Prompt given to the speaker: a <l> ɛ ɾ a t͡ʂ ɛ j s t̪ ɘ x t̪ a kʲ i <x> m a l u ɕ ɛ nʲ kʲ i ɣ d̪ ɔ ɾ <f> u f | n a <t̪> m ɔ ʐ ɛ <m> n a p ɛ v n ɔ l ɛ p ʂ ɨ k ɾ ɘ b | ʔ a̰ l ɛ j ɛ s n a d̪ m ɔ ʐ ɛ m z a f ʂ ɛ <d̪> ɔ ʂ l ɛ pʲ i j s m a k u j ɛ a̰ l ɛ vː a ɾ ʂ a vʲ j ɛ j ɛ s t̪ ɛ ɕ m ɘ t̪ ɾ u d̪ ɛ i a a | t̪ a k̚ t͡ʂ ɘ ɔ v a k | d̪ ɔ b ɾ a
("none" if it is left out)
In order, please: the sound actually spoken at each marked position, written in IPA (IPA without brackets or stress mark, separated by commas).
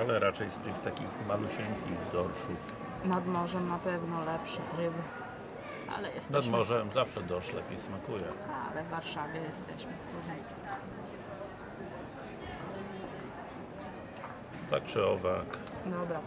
l, x, ʂ, d̪, m, d̪